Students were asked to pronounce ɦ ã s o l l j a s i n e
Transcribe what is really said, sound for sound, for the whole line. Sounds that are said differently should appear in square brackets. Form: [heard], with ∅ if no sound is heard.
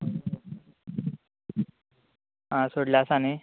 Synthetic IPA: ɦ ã s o [ɽ] l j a s [a] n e